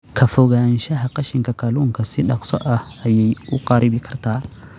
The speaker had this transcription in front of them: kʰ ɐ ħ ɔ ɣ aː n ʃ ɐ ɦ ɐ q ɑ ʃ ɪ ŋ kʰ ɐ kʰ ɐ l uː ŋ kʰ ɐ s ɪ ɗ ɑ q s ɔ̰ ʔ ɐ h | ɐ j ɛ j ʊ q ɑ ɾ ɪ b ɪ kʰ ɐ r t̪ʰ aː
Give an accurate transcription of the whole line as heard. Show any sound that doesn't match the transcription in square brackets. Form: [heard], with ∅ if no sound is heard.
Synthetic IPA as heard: kʰ ɐ [f] ɔ ɣ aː n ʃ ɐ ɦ ɐ q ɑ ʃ ɪ ŋ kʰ ɐ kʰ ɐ l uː ŋ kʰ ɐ s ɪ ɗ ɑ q s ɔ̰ ʔ ɐ h | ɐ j ɛ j ʊ q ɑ ɾ ɪ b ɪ kʰ ɐ r t̪ʰ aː